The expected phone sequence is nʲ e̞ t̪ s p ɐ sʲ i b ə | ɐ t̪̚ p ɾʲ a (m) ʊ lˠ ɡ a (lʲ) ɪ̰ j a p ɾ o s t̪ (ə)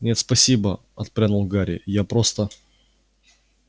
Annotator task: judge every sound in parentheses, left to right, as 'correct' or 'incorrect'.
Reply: incorrect, incorrect, correct

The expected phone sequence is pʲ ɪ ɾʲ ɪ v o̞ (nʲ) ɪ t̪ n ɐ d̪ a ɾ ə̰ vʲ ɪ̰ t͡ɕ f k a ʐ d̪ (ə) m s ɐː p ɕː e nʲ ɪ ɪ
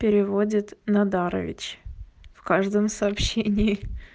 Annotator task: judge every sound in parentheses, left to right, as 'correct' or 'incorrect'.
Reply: incorrect, correct

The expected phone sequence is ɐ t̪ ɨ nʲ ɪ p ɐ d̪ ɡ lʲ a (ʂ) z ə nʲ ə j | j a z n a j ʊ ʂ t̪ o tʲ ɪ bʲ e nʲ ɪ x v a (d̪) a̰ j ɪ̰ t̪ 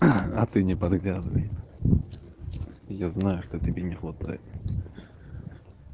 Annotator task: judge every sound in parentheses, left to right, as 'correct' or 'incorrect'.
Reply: incorrect, incorrect

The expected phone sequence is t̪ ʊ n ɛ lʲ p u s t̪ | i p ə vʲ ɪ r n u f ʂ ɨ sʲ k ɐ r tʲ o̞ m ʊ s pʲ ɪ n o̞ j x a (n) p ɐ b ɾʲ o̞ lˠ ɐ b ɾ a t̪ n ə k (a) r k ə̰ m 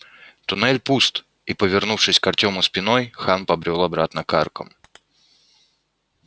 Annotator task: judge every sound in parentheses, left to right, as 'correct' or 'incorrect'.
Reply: correct, correct

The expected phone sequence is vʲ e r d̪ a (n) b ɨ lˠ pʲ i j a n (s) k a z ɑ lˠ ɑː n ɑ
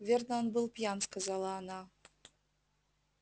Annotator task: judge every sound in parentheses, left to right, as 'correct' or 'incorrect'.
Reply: correct, correct

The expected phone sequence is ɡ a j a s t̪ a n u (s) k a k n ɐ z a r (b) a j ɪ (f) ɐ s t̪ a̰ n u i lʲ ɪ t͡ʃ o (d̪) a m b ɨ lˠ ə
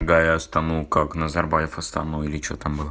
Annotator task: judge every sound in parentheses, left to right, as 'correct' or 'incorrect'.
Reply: incorrect, correct, correct, incorrect

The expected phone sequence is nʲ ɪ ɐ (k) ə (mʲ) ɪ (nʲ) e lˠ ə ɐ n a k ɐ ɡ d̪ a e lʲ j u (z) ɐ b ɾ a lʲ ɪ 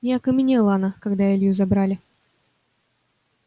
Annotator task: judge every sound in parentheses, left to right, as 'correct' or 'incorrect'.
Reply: correct, correct, correct, correct

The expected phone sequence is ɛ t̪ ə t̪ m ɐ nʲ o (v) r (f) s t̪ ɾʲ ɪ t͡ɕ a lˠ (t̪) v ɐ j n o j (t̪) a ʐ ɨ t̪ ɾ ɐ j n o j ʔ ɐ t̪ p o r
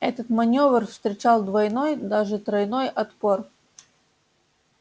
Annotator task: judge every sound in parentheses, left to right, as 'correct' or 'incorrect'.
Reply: correct, correct, incorrect, incorrect

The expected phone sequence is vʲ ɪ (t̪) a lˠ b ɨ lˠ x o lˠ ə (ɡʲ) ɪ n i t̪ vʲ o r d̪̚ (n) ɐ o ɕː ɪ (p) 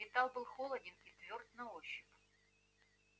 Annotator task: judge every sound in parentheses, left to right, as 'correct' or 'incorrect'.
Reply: correct, incorrect, correct, correct

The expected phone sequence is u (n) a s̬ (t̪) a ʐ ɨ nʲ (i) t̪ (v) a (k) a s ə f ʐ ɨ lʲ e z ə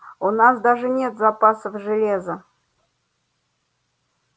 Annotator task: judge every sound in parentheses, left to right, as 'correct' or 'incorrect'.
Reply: correct, incorrect, incorrect, incorrect, incorrect

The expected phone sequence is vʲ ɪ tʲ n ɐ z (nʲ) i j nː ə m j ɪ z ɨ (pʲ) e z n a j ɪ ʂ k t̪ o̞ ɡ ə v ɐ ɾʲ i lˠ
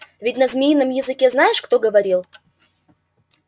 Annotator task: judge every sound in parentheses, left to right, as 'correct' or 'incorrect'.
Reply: incorrect, incorrect

